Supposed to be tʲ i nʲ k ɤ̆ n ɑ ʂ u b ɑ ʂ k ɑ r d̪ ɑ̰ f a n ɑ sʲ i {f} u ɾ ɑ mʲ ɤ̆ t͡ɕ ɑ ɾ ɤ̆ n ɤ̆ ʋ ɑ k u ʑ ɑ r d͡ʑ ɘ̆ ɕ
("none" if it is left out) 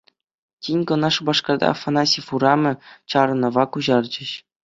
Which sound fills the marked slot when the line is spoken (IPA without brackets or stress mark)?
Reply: f